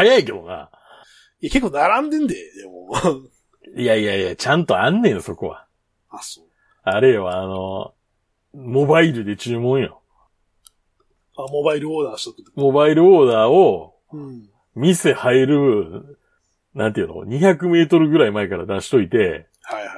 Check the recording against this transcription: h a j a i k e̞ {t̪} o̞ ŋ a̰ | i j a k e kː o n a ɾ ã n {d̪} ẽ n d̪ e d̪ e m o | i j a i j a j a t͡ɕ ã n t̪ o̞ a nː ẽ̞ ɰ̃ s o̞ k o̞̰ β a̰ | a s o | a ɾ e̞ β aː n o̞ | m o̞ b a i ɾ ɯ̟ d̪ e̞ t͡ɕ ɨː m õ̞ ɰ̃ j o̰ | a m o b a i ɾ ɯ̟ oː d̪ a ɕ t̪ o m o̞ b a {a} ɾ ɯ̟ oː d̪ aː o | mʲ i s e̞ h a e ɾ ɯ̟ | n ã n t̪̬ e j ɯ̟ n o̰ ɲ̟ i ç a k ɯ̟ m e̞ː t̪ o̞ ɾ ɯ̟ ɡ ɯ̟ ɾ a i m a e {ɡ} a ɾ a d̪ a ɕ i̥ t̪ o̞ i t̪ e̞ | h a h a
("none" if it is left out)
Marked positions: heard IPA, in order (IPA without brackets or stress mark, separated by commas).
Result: d̪, d̪, i, k